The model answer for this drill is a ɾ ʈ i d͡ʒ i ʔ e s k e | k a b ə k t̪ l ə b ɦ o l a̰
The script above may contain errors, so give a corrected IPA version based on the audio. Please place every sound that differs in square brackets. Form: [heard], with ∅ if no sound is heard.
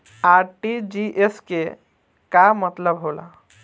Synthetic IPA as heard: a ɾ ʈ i d͡ʒ i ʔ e s k e | k a [m] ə [∅] t̪ l ə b ɦ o l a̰